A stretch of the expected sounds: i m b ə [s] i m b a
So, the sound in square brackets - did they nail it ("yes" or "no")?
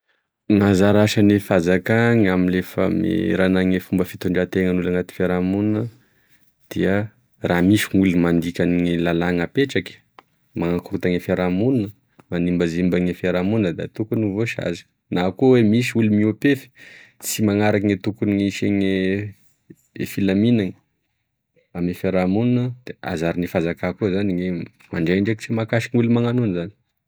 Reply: no